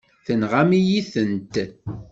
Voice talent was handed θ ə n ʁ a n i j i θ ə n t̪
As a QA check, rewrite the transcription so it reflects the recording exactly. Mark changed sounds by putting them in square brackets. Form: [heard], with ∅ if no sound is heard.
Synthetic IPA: θ ə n ʁ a [m] i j i θ ə n t̪